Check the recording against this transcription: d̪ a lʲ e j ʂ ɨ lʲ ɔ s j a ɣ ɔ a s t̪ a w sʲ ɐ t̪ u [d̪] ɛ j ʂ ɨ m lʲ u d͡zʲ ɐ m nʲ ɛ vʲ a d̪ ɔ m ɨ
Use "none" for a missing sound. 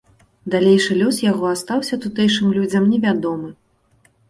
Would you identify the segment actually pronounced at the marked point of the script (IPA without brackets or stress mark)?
t̪